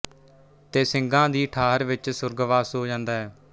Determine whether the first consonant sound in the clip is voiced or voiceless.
voiceless